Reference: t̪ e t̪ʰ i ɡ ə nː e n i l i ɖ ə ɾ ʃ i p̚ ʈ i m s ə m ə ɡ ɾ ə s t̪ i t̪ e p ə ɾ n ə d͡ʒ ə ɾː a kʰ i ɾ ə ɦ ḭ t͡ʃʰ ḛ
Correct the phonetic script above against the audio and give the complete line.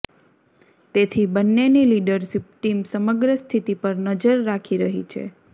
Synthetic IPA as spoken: t̪ e t̪ʰ i b ə nː e n i l i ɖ ə ɾ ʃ i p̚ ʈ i m s ə m ə ɡ ɾ ə s t̪ʰ i t̪ i p ə ɾ n ə d͡ʒ ə ɾː a kʰ i ɾ ə ɦ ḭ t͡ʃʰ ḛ